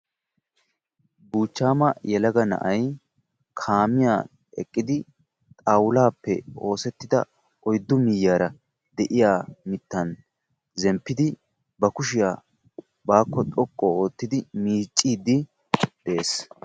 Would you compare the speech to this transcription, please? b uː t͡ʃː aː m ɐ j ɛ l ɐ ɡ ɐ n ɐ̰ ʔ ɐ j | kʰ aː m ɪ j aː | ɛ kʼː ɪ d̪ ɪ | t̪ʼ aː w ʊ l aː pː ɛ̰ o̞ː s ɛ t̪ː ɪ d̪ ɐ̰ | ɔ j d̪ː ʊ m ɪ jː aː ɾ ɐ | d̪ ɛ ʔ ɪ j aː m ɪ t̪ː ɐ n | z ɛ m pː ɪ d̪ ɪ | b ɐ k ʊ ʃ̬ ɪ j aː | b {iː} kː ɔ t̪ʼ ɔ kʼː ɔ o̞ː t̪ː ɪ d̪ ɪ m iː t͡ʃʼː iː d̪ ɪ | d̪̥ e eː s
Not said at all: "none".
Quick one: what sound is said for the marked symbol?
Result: aː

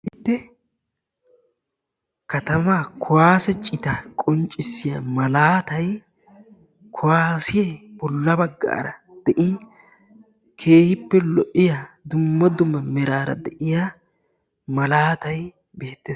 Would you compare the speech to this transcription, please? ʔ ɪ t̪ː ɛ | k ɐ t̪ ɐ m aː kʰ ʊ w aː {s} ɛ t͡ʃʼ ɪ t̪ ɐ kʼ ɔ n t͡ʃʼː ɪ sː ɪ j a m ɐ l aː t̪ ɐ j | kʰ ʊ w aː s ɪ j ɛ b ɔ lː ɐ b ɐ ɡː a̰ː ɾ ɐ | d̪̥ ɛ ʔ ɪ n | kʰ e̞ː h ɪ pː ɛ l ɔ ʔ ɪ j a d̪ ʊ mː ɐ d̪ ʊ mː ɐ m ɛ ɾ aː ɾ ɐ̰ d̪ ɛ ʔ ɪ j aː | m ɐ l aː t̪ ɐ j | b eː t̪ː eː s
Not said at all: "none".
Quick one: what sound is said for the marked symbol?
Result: s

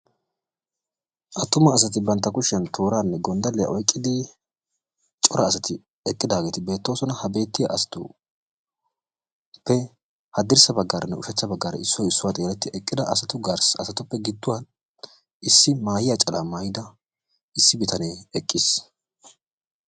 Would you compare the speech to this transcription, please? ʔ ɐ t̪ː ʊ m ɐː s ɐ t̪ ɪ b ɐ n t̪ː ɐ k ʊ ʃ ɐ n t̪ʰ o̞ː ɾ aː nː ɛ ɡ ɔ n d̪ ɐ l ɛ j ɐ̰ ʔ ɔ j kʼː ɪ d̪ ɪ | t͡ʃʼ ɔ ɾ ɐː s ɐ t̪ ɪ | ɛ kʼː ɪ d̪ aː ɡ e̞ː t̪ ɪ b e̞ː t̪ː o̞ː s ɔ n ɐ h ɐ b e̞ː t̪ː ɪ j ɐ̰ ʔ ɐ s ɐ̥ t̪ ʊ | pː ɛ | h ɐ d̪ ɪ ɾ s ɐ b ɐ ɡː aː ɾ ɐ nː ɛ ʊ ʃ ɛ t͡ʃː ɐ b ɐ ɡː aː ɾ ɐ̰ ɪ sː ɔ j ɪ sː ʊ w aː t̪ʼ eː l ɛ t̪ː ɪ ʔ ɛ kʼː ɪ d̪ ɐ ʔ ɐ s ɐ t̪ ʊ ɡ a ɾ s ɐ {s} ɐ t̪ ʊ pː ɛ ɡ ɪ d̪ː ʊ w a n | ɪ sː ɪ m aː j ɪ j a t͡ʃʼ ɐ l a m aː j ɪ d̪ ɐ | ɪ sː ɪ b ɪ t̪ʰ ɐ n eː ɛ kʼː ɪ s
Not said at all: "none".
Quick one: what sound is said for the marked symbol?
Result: s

